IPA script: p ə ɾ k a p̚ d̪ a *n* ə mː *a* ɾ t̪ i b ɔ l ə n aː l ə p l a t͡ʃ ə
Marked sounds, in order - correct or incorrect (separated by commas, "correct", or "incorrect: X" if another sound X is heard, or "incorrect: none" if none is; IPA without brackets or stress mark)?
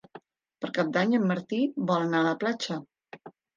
incorrect: ɲ, incorrect: ə